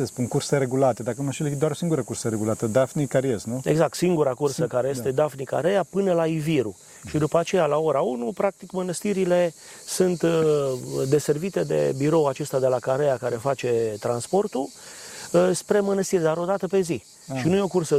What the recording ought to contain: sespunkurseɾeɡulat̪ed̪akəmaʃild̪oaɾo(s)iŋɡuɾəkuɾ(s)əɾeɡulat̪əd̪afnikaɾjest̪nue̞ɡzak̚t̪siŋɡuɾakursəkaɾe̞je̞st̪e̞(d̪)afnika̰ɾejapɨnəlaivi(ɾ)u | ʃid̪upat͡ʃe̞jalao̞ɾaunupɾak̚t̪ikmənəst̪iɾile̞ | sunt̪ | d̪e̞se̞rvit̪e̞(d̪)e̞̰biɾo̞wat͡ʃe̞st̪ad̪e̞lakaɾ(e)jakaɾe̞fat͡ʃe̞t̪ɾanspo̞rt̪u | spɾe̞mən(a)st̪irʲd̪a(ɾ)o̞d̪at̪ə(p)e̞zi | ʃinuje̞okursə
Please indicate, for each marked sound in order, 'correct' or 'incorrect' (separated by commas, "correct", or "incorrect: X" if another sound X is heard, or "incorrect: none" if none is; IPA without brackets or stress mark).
correct, correct, correct, correct, correct, correct, incorrect: ə, correct, correct